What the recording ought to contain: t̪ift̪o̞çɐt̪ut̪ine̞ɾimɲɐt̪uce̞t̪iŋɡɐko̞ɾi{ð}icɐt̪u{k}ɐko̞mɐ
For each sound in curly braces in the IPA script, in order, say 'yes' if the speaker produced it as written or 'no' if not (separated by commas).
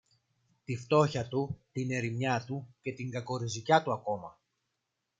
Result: no, no